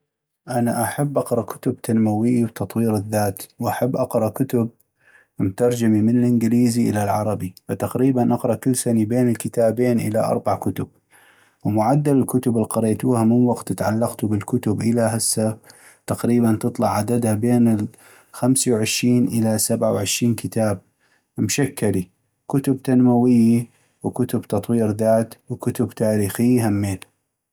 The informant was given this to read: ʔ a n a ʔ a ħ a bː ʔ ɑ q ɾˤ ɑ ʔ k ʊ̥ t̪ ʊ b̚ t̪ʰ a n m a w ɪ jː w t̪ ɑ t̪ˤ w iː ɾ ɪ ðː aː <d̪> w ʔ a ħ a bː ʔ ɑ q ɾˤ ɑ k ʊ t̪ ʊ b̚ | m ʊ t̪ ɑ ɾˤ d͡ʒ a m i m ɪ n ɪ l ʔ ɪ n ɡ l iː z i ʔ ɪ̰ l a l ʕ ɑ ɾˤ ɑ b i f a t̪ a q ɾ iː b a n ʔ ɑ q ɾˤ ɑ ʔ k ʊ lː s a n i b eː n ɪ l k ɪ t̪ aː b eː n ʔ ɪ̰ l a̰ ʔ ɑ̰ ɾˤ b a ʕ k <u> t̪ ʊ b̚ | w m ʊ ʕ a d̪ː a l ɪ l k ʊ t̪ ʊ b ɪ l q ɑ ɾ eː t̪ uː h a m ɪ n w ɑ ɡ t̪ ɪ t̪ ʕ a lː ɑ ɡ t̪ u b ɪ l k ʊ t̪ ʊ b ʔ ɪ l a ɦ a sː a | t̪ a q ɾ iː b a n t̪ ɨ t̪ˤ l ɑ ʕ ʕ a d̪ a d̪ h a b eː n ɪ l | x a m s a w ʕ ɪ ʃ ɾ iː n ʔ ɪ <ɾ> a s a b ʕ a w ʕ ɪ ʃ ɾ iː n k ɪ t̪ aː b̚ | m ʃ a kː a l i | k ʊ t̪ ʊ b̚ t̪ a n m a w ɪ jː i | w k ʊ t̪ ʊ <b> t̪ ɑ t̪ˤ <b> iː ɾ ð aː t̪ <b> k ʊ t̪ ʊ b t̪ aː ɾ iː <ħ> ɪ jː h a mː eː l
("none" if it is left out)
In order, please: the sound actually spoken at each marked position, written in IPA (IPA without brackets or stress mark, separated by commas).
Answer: t̪, ʊ, l, b, w, w, x